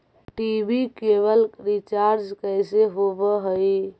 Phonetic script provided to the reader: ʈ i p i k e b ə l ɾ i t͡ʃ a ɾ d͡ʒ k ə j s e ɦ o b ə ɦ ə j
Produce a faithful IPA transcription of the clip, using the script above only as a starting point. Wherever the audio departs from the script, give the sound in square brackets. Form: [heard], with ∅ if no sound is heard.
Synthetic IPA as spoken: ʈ i [b] i k e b ə l ɾ i t͡ʃ a ɾ d͡ʒ k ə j s e ɦ o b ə ɦ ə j